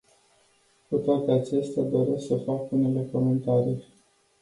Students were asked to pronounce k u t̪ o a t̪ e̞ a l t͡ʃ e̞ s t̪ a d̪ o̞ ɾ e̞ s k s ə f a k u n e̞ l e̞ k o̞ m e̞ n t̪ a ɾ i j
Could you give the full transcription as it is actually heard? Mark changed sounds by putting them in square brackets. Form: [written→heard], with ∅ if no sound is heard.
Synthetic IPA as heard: k u t̪ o a t̪ e̞ a [l→∅] t͡ʃ e̞ s t̪ a d̪ o̞ ɾ e̞ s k s ə f a k u n e̞ l e̞ k o̞ m e̞ n t̪ a ɾ i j